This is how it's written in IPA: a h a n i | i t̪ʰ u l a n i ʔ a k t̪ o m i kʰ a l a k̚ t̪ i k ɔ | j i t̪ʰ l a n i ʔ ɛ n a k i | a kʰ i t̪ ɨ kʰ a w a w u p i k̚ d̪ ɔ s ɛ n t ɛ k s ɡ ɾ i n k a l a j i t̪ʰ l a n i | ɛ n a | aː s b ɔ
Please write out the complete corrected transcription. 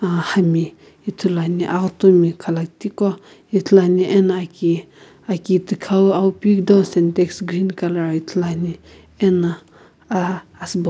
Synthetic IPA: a h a m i | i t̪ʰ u l a n i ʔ a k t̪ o m i kʰ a l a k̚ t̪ i k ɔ | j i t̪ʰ l a n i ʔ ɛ n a k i | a k i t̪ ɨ kʰ a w a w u p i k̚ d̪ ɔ s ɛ n t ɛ k s ɡ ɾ i n k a l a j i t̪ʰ l a n i | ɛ n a | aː s b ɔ